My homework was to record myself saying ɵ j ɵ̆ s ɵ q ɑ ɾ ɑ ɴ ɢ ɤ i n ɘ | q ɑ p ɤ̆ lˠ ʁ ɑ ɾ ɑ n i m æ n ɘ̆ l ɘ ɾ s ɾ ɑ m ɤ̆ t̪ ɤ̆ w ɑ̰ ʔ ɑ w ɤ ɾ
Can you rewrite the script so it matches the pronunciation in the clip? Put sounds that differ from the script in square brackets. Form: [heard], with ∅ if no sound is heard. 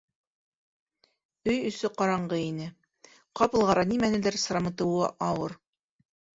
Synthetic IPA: ɵ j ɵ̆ s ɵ q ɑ ɾ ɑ ɴ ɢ ɤ i n ɘ | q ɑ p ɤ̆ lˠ ʁ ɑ ɾ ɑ n i m æ n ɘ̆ l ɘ ɾ s ɾ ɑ m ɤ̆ t̪ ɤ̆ w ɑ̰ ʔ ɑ w ɤ ɾ